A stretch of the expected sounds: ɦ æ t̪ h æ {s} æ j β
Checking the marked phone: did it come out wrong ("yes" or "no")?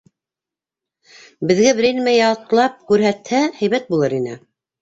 yes